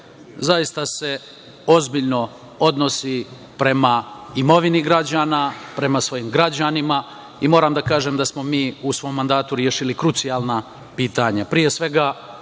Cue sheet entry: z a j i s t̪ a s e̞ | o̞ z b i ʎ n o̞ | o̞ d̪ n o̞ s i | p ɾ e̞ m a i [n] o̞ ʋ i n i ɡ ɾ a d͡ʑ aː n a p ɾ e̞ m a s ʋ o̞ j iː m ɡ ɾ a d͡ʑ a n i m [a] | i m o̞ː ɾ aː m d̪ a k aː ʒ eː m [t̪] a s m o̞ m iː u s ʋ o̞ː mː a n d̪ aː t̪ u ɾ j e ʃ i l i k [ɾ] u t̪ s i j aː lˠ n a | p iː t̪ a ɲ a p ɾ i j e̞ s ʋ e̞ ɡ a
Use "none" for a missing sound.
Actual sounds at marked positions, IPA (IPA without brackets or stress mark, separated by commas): m, a, d̪, ɾ